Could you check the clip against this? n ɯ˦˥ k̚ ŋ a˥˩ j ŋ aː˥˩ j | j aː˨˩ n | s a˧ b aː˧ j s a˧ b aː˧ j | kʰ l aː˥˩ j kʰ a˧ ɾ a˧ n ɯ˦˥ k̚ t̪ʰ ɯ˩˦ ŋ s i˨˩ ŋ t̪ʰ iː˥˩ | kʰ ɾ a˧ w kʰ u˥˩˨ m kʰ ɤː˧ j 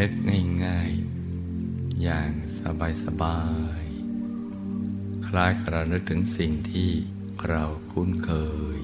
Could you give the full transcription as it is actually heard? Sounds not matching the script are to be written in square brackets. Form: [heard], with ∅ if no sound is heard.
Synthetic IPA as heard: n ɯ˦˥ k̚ ŋ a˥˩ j ŋ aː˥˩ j | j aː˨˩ [ŋ] | s a˧ b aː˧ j s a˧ b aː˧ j | kʰ l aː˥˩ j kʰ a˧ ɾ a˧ n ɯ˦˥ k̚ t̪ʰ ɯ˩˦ ŋ s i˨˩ ŋ t̪ʰ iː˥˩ | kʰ ɾ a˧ w kʰ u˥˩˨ [n] kʰ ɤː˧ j